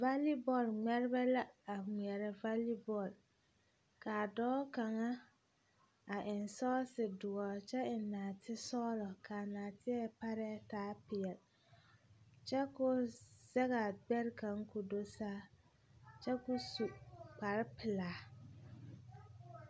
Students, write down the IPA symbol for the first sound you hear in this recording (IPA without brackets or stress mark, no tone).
v